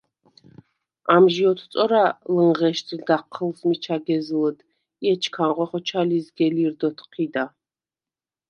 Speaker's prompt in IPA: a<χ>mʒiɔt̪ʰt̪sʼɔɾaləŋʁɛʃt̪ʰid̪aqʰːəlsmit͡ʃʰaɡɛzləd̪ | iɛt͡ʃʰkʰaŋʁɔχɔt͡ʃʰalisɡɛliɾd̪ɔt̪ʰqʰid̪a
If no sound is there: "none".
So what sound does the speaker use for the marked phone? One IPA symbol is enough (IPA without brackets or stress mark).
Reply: none